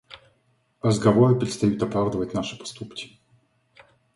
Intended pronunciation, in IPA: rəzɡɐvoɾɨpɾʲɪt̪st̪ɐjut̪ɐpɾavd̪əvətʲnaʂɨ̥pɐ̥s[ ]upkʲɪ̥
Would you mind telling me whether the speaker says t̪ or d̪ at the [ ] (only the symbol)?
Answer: t̪